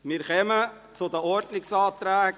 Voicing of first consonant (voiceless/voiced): voiced